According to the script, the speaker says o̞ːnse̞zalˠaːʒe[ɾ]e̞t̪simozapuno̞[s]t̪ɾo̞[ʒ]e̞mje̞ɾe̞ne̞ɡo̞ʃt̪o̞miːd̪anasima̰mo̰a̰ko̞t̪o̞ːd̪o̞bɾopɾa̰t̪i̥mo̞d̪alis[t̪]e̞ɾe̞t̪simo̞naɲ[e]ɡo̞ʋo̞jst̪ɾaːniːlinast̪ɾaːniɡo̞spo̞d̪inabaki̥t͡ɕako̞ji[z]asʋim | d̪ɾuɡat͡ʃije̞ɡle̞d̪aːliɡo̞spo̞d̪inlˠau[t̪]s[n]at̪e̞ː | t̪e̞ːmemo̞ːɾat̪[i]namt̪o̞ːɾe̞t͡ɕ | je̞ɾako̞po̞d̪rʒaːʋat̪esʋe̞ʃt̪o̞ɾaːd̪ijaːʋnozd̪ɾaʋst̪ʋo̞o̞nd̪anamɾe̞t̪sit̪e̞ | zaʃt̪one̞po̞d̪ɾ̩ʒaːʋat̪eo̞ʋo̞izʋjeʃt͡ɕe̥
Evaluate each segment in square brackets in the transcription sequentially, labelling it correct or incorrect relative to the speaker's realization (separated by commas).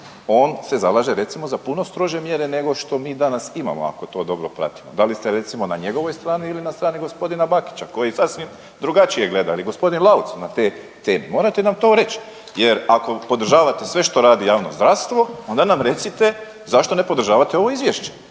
correct, correct, correct, correct, correct, incorrect, correct, correct, incorrect